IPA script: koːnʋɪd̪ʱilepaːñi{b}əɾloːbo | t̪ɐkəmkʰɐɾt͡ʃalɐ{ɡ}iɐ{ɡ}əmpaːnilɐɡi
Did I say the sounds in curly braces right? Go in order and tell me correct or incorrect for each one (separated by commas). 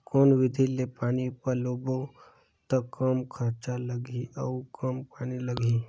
incorrect, correct, incorrect